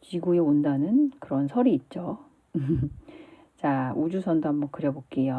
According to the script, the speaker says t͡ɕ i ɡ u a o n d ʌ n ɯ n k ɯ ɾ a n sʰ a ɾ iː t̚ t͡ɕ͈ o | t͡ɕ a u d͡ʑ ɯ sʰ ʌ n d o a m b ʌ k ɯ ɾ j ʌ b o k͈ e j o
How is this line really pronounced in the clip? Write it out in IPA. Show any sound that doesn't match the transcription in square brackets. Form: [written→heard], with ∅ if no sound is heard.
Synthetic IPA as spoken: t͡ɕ i ɡ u [a→e] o n d [ʌ→a] n ɯ n k ɯ ɾ [a→ʌ] n sʰ [a→ʌ] ɾ iː t̚ t͡ɕ͈ o | t͡ɕ a u d͡ʑ [ɯ→u] sʰ ʌ n d o a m b ʌ k ɯ ɾ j ʌ b o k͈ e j o